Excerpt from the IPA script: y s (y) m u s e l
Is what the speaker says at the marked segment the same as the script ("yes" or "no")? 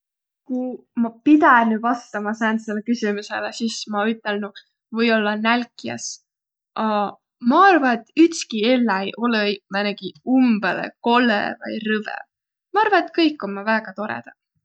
no